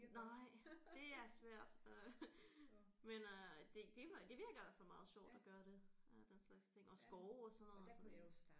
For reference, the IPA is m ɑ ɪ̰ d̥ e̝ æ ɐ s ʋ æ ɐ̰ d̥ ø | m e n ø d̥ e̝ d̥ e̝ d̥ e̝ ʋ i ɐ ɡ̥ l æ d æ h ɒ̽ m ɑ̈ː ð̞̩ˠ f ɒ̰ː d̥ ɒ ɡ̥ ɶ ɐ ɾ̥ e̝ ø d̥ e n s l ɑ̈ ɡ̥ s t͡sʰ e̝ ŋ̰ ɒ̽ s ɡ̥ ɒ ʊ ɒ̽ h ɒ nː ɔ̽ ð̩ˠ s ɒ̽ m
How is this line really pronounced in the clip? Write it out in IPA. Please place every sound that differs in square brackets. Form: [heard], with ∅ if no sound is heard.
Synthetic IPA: [n] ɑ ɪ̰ d̥ e̝ æ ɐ s ʋ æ ɐ̰ d̥ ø | m e n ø d̥ e̝ d̥ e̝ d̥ e̝ ʋ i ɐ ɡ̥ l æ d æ [f] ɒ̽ m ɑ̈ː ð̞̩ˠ [ɕ] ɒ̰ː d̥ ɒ ɡ̥ ɶ ɐ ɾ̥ e̝ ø d̥ e n s l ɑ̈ ɡ̥ s t͡sʰ e̝ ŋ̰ ɒ̽ s ɡ̥ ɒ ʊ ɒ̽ [s] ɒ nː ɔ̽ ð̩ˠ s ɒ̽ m